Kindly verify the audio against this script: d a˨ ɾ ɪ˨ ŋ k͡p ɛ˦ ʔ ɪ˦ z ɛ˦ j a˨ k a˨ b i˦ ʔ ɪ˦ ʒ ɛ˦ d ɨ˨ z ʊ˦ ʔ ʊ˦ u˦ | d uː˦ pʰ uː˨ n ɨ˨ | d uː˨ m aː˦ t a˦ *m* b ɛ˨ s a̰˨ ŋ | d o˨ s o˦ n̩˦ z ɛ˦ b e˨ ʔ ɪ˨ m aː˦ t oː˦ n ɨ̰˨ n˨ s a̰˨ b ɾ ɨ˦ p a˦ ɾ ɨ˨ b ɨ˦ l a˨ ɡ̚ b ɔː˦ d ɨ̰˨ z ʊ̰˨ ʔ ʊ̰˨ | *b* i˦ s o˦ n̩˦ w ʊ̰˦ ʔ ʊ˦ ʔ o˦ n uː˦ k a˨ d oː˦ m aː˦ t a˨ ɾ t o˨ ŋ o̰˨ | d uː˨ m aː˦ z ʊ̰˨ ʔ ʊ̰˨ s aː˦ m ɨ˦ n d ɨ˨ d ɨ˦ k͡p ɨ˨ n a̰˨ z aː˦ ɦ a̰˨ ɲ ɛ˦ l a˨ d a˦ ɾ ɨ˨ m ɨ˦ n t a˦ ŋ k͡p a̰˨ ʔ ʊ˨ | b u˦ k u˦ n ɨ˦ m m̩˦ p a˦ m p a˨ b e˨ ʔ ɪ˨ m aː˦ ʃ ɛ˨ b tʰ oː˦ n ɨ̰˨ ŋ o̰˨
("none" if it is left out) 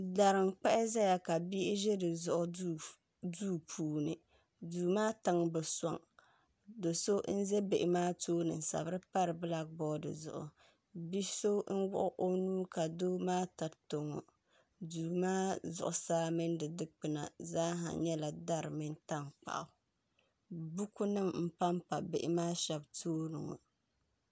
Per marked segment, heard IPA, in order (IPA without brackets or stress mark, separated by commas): ŋ, b